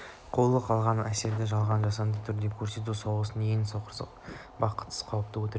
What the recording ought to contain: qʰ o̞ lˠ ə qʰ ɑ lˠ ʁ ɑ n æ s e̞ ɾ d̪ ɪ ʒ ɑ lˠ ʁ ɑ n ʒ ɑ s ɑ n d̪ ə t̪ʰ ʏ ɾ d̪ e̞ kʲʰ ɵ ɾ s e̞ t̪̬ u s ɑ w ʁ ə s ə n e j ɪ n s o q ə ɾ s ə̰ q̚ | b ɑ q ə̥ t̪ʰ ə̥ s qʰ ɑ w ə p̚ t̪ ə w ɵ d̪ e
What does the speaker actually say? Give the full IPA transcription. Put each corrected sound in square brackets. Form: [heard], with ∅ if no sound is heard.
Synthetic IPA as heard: qʰ o̞ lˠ ə qʰ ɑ lˠ ʁ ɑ n æ s e̞ ɾ d̪ ɪ ʒ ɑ lˠ ʁ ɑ n ʒ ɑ s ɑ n d̪ ə t̪ʰ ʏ ɾ d̪ e̞ kʲʰ ɵ ɾ s e̞ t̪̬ u s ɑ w ʁ ə s ə n e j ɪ n s o q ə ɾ s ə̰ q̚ | b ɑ q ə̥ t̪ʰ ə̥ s qʰ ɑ w ə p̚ t̪ ə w ɵ [t̪] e

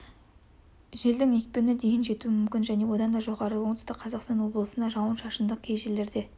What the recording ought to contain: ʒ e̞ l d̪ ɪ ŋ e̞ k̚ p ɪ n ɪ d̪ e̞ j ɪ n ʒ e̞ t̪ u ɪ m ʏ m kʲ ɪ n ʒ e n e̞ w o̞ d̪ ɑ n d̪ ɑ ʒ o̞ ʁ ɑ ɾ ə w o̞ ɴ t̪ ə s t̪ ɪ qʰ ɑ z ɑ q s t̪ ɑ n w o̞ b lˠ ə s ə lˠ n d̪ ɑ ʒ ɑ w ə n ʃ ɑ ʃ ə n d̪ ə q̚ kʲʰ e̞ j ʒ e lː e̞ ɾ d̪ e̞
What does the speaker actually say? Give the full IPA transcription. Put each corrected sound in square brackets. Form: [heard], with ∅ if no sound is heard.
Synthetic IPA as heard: ʒ e̞ l d̪ ɪ ŋ e̞ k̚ p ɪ n ɪ d̪ e̞ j ɪ n ʒ e̞ t̪ u ɪ m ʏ m kʲ ɪ n ʒ [æ] n e̞ w o̞ d̪ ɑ n d̪ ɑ ʒ o̞ ʁ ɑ ɾ ə w o̞ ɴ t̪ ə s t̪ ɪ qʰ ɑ z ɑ q s t̪ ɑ n w o̞ b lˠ ə s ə [∅] n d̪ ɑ ʒ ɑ w ə n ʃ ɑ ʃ ə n d̪ ə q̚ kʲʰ e̞ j ʒ e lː e̞ ɾ d̪ e̞

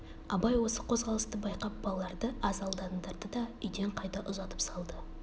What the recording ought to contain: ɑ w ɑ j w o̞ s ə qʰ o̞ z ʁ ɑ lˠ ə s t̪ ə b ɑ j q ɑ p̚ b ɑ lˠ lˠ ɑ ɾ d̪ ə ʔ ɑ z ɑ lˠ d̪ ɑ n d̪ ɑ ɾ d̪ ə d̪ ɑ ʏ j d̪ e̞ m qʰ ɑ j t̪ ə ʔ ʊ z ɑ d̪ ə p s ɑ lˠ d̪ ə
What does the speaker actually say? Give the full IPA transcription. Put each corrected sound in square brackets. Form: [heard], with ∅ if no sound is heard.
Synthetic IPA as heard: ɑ [b] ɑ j w o̞ s ə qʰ o̞ z ʁ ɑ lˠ ə s t̪ ə b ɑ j q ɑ p̚ b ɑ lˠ lˠ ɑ ɾ d̪ ə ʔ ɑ z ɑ lˠ d̪ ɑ n d̪ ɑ ɾ d̪ ə d̪ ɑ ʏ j d̪ e̞ [ɴ] qʰ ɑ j t̪ [ɑ] ʔ ʊ z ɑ [t̪] ə p s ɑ lˠ d̪ ə

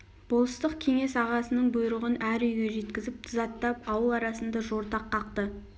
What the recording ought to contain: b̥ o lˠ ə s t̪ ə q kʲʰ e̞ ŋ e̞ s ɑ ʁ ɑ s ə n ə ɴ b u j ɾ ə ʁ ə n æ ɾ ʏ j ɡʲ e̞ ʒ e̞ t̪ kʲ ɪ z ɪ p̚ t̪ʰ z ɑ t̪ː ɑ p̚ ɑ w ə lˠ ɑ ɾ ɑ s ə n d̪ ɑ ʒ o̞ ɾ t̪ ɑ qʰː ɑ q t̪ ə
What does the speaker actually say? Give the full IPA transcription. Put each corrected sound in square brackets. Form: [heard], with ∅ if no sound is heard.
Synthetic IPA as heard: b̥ o lˠ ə s t̪ ə q kʲʰ e̞ ŋ e̞ s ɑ ʁ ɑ s ə n ə ɴ b [ʊ] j ɾ ə ʁ ə n æ ɾ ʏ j ɡʲ e̞ ʒ e̞ t̪ kʲ ɪ z ɪ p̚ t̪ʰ z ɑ t̪ː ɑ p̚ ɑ w ə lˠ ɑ ɾ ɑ s ə n d̪ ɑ ʒ o̞ ɾ t̪ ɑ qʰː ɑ q t̪ ə

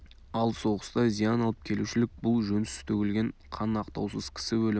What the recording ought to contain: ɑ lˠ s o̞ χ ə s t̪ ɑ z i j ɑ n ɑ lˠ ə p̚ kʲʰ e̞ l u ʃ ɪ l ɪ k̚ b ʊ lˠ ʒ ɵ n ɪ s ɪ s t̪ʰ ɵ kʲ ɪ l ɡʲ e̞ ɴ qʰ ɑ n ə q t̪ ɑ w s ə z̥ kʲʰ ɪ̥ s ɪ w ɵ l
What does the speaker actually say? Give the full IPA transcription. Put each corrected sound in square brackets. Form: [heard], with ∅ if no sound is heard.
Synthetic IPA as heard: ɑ lˠ s o̞ [ʁ] ə s t̪ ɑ z i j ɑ n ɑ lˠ ə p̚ kʲʰ e̞ l u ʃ ɪ l ɪ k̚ b ʊ lˠ ʒ ɵ n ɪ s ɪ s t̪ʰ ɵ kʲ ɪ l ɡʲ e̞ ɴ qʰ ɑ n [ɑ] q t̪ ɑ w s ə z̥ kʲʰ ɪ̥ s ɪ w ɵ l

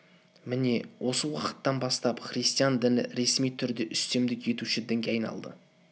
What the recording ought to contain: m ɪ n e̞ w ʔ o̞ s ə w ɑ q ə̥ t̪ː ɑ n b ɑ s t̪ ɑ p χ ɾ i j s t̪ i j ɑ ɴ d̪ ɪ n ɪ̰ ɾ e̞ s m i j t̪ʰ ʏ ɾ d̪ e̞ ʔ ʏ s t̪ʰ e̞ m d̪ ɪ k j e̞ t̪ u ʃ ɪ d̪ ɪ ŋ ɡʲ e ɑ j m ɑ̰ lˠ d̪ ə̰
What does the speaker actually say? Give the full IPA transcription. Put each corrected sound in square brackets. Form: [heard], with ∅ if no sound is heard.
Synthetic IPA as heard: m ɪ n e̞ w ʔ o̞ s ə w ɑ q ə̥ t̪ː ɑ n b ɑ s t̪ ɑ p χ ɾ i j s t̪ i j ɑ [n] d̪ ɪ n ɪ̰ ɾ e̞ s m i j t̪ʰ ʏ ɾ d̪ e̞ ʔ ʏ s [t̪] e̞ m d̪ ɪ k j e̞ t̪ u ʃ ɪ d̪ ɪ ŋ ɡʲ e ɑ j [n] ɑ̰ lˠ d̪ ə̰

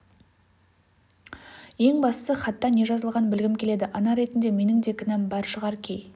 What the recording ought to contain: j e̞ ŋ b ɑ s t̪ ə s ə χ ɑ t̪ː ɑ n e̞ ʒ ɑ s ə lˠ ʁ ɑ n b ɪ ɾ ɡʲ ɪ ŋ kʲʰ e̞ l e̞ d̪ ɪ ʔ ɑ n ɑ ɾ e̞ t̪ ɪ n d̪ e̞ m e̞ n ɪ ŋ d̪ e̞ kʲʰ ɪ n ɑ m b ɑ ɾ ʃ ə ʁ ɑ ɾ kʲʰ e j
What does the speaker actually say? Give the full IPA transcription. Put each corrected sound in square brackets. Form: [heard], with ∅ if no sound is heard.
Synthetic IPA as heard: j e̞ ŋ b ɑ s t̪ ə s ə χ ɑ t̪ː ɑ n e̞ ʒ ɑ [z] ə lˠ ʁ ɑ n b ɪ [l] ɡʲ ɪ [m] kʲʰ e̞ l e̞ d̪ ɪ ʔ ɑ n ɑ ɾ e̞ t̪ ɪ n d̪ e̞ m e̞ n ɪ ŋ d̪ e̞ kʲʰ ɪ n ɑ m b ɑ ɾ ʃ ə ʁ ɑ ɾ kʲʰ e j

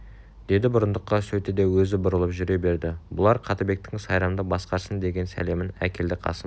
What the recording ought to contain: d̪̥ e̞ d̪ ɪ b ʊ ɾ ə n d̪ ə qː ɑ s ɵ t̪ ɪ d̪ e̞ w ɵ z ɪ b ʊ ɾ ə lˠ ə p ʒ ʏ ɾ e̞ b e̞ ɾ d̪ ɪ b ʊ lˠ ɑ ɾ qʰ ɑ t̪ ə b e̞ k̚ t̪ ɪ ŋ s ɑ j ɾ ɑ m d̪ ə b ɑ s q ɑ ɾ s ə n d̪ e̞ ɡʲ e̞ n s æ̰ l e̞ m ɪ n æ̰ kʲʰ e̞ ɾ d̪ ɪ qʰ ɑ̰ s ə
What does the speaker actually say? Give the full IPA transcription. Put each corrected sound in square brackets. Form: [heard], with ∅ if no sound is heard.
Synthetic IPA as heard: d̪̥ e̞ d̪ ɪ b ʊ ɾ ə n d̪ ə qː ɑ s ɵ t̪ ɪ d̪ e̞ w ɵ z ɪ b ʊ ɾ ə lˠ ə p ʒ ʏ ɾ e̞ b e̞ ɾ d̪ ɪ b ʊ lˠ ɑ ɾ qʰ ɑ t̪ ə b e̞ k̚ t̪ ɪ ŋ s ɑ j ɾ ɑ m d̪ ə b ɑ s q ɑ ɾ s ə n d̪ e̞ ɡʲ e̞ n s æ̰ l e̞ m ɪ n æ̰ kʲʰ e̞ [l] d̪ ɪ qʰ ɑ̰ s ə

